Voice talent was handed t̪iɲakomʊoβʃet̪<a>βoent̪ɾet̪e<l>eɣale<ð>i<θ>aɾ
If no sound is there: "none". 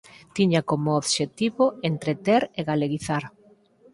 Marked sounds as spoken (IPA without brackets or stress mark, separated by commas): i, ɾ, ɣ, θ